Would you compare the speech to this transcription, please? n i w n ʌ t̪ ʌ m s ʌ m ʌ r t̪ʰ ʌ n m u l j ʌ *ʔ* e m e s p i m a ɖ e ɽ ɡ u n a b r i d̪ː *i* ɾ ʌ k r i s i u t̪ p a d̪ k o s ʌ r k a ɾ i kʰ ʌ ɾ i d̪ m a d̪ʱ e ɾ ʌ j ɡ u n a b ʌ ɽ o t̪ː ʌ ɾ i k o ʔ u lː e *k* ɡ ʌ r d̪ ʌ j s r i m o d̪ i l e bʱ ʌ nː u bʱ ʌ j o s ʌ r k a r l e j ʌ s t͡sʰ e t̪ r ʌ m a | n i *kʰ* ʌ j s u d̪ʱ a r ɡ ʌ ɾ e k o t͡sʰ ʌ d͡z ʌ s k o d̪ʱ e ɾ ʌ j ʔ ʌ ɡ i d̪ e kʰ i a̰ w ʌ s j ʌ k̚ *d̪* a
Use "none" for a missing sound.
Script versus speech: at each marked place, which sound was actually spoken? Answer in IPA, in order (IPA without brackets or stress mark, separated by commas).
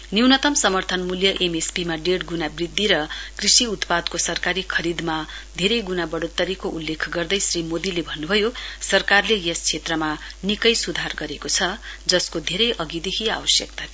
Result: ʔ, i, kʰ, k, t̪